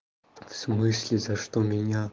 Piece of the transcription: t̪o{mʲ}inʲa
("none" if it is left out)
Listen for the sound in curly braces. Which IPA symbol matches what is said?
mʲ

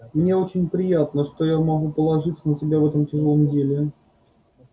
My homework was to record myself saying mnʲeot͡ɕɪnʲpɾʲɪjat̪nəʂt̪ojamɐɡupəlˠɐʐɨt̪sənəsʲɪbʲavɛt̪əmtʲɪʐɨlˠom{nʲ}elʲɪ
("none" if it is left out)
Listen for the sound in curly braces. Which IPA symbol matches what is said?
dʲ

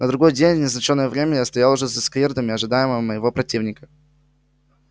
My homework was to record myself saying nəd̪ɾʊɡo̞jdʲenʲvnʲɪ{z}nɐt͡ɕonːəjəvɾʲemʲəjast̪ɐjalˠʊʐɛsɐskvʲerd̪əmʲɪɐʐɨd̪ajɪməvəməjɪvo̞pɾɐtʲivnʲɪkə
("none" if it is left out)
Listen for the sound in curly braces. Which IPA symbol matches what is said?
z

